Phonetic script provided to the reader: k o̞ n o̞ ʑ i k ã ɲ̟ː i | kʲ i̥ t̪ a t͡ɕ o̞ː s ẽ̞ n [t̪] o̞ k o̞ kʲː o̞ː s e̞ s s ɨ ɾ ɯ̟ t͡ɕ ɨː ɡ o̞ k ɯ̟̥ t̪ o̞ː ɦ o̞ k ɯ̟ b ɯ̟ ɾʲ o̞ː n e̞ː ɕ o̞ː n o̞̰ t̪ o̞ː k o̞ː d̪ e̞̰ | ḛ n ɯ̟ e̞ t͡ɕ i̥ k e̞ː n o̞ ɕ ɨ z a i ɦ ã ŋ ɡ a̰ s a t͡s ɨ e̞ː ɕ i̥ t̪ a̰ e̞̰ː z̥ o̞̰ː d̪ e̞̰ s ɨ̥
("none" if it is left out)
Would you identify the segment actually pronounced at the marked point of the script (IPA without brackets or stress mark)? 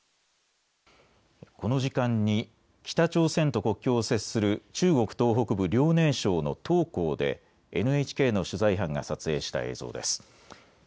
t̪